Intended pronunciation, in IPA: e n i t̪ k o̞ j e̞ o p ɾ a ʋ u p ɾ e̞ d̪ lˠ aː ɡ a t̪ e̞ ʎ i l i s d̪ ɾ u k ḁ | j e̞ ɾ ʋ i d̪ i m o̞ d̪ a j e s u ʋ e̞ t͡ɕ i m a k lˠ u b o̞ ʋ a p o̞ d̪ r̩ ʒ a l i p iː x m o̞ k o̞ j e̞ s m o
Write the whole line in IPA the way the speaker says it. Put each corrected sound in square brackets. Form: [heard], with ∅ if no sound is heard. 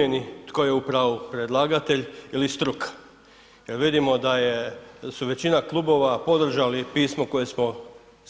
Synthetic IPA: e n i t̪ k o̞ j e̞ [u] p ɾ a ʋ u p ɾ e̞ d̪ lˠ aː ɡ a t̪ e̞ ʎ i l i s [t̪] ɾ u k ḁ | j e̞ ɾ ʋ i d̪ i m o̞ d̪ a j e s u ʋ e̞ t͡ɕ i [n] a k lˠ u b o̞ ʋ a p o̞ d̪ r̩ ʒ a l i p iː [s] m o̞ k o̞ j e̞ s m o